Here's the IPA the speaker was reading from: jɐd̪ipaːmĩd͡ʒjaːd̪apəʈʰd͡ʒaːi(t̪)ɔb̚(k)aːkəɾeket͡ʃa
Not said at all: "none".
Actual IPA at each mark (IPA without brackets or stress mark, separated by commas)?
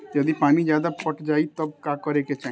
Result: t̪, k